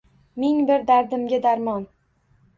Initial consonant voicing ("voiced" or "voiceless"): voiced